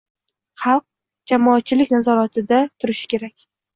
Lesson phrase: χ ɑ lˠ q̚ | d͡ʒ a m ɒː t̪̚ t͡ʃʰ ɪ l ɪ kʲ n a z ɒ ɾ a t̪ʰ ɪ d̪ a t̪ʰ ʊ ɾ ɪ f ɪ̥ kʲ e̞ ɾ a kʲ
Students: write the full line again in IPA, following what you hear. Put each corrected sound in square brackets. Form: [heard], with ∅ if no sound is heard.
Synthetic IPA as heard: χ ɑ lˠ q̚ | d͡ʒ a m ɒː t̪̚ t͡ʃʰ ɪ l ɪ kʲ n a z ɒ ɾ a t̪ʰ ɪ d̪ a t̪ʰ ʊ ɾ ɪ [ʃ] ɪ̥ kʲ e̞ ɾ a kʲ